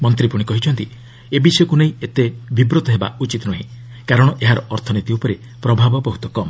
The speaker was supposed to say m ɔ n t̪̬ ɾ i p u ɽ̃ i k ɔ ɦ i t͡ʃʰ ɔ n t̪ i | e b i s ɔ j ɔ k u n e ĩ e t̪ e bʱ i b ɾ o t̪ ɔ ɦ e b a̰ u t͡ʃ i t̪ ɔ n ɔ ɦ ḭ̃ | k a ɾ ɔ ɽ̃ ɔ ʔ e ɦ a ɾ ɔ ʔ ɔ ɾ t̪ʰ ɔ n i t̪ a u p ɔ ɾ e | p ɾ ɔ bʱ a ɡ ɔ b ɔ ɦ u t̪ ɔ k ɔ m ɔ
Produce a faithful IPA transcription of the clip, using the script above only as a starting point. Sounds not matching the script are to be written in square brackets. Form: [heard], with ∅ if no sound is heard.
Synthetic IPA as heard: m ɔ n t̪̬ ɾ i p u ɽ̃ i k ɔ ɦ i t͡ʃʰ ɔ n t̪ i | e b i s ɔ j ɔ k u n e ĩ e t̪ e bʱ i b ɾ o t̪ ɔ ɦ e b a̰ u t͡ʃ i t̪ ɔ n ɔ ɦ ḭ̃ | k a ɾ ɔ ɽ̃ ɔ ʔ e ɦ a ɾ ɔ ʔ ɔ ɾ t̪ʰ ɔ n i t̪ [i] u p ɔ ɾ e | p ɾ ɔ bʱ a [b] ɔ b ɔ ɦ u t̪ ɔ k ɔ m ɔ